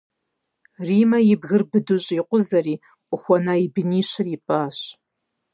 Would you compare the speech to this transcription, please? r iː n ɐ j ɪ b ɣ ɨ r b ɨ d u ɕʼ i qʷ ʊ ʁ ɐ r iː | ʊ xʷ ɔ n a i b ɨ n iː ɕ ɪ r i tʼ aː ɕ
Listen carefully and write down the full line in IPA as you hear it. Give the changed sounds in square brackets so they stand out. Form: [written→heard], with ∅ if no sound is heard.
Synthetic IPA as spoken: r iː [n→m] ɐ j ɪ b ɣ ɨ r b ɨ d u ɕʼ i qʷ ʊ [ʁ→z] ɐ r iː | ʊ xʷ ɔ n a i b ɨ n iː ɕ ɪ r i [tʼ→pʼ] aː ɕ